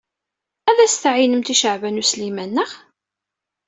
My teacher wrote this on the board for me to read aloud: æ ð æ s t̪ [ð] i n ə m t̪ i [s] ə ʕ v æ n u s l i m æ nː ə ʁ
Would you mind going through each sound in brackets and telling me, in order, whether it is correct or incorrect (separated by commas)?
incorrect, incorrect